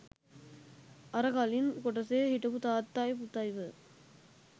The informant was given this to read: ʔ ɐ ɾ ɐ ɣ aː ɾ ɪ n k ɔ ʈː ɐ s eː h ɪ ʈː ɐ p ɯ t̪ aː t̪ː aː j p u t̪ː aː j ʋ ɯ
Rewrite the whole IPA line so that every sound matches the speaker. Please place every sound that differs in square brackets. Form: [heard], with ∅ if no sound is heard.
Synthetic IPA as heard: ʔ ɐ ɾ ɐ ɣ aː [l] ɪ n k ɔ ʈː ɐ s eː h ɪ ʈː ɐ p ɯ t̪ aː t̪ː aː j p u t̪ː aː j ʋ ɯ